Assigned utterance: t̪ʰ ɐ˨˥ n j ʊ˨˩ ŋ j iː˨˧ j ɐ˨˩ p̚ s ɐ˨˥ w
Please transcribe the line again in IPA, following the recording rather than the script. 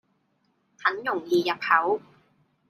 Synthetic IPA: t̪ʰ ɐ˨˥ n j ʊ˨˩ ŋ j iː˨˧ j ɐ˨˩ p̚ h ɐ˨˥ w